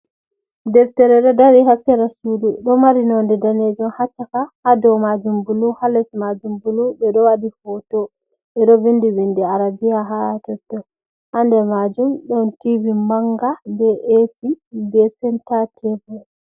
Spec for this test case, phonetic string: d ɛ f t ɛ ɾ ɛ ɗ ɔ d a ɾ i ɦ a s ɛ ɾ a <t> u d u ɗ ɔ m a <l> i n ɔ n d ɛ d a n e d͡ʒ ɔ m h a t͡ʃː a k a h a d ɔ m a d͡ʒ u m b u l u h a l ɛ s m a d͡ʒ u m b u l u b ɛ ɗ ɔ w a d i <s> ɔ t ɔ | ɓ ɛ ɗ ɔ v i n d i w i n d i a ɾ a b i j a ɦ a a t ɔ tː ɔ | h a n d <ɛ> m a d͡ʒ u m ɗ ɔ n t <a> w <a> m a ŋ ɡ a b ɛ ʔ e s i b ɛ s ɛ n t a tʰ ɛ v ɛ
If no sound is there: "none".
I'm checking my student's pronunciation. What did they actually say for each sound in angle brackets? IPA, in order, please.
s, ɾ, f, ɛ, i, i

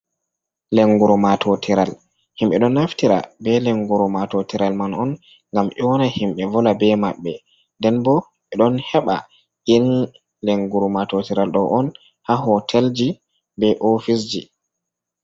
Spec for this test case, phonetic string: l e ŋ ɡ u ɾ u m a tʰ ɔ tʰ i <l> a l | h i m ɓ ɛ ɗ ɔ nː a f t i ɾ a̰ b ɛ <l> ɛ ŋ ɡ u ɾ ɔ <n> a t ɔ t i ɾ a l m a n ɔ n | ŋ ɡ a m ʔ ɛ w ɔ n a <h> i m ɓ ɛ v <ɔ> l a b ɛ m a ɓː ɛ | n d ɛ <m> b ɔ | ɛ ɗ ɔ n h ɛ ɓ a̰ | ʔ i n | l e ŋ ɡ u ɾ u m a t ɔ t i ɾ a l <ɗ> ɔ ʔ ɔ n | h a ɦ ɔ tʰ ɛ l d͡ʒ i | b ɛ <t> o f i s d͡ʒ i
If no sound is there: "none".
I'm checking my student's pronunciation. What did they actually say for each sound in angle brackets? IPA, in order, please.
ɾ, l, m, h, ɔ, n, ɗ, ʔ

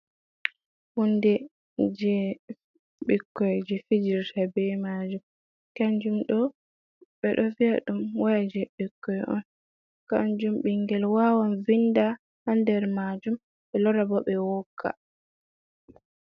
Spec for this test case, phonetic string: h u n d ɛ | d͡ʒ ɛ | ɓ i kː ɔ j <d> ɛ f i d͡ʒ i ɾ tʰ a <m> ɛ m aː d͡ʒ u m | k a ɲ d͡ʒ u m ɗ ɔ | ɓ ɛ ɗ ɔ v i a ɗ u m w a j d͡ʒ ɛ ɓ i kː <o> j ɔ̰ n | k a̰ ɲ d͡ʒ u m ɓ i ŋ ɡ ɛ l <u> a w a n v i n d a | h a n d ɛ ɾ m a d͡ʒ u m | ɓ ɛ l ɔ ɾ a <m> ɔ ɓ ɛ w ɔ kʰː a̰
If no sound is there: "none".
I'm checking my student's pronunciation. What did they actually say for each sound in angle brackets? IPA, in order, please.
d͡ʒ, b, ɔ, w, b

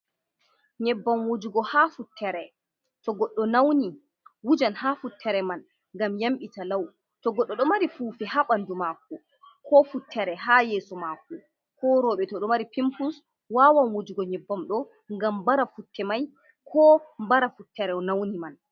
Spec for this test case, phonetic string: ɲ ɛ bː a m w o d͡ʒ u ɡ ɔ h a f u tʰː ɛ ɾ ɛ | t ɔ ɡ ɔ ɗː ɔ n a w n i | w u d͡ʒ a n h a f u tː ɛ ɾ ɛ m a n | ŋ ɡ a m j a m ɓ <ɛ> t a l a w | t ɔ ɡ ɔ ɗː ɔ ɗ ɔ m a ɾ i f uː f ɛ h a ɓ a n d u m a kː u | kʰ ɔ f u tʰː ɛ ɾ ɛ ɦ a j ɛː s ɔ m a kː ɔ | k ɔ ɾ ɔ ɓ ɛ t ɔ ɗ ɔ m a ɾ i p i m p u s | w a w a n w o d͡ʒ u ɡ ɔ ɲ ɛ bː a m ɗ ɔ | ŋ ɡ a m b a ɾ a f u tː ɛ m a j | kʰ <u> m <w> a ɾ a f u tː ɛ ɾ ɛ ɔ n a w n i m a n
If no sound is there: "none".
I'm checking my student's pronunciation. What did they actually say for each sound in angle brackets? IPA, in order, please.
i, ɔ, b

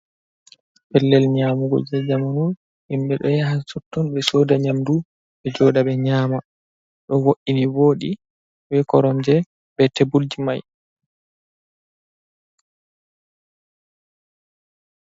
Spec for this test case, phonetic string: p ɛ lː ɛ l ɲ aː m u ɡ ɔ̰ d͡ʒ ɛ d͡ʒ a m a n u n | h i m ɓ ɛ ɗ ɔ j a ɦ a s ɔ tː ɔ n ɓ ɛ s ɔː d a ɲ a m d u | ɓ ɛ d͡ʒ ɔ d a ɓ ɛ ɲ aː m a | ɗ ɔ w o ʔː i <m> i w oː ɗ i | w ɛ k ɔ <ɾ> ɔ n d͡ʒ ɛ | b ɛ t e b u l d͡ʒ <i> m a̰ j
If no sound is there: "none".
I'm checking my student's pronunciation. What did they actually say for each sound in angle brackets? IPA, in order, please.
n, ɾ, i

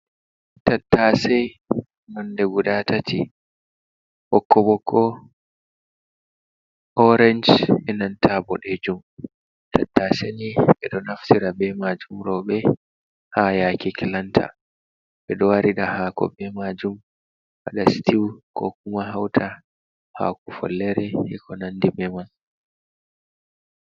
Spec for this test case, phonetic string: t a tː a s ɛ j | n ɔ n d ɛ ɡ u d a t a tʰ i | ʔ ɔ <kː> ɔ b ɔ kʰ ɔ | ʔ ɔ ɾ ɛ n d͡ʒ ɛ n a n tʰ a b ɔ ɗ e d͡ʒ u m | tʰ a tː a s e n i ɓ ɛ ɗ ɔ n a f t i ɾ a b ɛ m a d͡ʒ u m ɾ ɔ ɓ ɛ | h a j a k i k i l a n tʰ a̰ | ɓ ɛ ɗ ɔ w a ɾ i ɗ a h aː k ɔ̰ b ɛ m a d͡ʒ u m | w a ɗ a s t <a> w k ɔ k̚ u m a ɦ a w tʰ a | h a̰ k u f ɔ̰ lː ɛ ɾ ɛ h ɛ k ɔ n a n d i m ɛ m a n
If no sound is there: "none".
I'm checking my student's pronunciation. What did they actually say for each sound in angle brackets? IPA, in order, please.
kː, i

